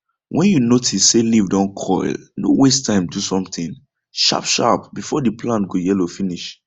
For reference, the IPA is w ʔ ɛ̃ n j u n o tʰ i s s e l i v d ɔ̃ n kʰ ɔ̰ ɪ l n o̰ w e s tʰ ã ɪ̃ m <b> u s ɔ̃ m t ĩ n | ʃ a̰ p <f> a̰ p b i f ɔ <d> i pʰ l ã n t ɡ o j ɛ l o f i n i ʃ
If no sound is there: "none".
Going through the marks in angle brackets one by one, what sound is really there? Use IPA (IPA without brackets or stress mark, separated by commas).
d, ʃ, d